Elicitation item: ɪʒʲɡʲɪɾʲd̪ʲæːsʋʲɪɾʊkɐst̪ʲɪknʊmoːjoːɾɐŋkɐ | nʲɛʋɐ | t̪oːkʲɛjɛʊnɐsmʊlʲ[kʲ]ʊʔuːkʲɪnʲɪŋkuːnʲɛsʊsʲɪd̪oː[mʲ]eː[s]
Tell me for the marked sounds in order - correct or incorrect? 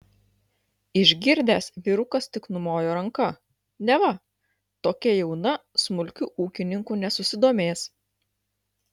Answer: correct, correct, correct

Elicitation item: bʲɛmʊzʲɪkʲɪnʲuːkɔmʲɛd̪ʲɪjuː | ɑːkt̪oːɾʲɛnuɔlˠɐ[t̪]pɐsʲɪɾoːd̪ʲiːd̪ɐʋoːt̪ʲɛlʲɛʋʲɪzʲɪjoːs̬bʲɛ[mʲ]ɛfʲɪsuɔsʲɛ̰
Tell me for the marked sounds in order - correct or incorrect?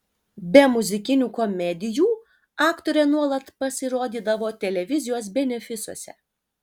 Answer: correct, incorrect

